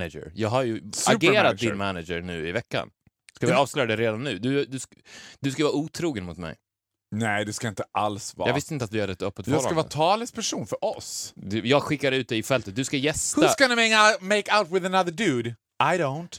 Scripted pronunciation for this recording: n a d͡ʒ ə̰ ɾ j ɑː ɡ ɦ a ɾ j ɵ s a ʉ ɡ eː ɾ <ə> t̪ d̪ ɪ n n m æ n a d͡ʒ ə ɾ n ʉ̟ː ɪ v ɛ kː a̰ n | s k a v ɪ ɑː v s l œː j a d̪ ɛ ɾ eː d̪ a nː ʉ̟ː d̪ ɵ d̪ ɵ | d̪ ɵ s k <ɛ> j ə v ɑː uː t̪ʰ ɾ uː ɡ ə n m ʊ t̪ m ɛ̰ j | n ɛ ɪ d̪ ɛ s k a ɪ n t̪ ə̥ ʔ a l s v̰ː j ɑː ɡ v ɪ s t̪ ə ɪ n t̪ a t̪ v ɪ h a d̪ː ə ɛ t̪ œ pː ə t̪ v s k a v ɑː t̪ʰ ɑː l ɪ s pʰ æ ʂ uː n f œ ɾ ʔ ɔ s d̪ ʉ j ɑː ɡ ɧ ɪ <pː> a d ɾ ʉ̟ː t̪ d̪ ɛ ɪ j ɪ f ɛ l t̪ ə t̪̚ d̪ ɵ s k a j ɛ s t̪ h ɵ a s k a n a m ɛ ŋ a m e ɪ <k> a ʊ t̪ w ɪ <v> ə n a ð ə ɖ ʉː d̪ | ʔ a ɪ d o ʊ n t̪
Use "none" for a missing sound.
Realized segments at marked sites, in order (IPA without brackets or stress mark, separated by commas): a, a, kː, k, ð